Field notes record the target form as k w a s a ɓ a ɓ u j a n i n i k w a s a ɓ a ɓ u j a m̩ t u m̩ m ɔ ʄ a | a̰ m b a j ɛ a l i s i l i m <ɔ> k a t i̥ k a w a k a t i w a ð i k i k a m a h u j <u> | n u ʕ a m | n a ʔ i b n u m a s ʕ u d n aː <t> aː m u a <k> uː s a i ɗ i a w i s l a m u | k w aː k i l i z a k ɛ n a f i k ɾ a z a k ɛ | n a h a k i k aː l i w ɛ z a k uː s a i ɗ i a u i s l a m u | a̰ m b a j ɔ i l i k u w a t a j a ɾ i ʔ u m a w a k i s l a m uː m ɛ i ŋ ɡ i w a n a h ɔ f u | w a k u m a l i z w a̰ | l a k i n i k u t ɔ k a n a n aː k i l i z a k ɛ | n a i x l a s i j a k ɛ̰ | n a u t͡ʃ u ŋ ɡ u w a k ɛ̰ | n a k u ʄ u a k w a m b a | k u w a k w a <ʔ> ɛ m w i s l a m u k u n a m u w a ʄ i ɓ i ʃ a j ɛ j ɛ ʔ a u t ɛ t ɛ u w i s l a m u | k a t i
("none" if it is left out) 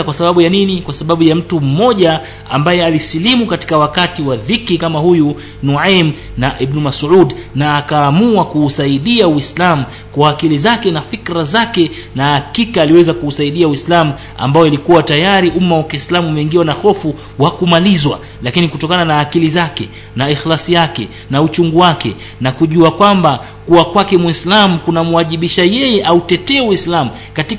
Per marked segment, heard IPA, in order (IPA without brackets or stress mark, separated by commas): u, u, k, k, k